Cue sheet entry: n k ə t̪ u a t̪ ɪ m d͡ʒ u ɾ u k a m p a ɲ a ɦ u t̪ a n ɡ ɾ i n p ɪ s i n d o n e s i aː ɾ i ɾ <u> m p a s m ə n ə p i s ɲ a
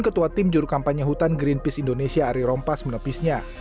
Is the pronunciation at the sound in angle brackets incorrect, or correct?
incorrect